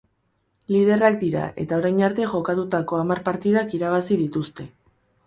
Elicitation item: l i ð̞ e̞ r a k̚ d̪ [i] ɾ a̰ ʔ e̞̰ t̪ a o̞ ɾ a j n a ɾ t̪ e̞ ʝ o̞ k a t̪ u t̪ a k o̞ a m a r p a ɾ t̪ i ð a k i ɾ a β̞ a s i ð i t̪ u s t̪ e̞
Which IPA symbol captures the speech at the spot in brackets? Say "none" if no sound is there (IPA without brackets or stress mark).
i